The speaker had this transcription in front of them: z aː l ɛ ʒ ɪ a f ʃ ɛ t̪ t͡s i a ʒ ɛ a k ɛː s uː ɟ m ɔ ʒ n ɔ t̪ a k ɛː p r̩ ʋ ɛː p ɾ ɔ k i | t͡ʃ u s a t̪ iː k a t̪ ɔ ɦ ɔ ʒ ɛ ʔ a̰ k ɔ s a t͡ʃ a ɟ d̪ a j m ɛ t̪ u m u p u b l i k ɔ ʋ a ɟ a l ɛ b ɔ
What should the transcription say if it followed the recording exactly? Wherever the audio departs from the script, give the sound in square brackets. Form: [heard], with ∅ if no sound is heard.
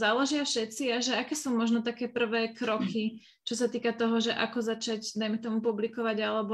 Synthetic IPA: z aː l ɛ ʒ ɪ a f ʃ ɛ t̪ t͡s i a ʒ ɛ a k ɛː s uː [∅] m ɔ ʒ n ɔ t̪ a k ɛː p r̩ ʋ ɛː [k] ɾ ɔ k i | t͡ʃ [ɔ] s a t̪ iː k a t̪ ɔ ɦ ɔ ʒ ɛ ʔ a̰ k ɔ [z] a t͡ʃ a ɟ d̪ a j m ɛ t̪ [ɔ] m u p u b l i k ɔ ʋ a ɟ a l ɛ b ɔ